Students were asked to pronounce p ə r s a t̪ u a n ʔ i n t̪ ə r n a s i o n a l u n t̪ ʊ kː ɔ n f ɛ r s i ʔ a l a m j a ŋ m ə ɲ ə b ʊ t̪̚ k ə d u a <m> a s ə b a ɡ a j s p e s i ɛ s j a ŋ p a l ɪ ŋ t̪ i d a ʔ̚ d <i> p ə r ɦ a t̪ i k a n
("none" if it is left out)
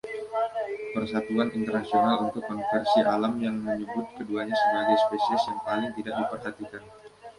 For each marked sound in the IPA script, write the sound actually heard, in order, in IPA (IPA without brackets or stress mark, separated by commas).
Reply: ɲ, i